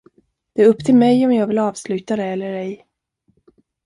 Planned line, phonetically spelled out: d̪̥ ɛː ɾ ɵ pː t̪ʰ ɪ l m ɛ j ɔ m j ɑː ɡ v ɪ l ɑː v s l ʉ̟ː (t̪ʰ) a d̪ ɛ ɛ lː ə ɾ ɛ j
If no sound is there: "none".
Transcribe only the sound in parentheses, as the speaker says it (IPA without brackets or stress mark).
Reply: t̪